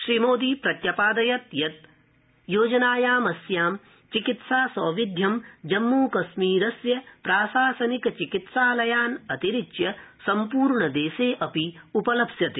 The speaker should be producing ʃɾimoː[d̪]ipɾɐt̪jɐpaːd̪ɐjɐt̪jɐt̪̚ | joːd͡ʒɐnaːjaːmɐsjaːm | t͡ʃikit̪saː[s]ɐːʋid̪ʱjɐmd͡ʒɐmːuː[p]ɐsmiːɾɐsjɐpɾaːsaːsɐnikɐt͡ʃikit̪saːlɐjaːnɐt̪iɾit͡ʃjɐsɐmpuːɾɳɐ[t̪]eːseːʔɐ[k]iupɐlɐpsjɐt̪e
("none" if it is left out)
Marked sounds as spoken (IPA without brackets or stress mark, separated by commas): d̪, s, k, d̪, p